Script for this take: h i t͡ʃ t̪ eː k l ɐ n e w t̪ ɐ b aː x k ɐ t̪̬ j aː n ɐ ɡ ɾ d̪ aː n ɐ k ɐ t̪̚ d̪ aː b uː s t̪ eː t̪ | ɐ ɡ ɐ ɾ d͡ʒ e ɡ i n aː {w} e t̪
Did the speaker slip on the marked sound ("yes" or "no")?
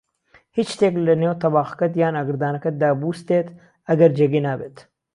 yes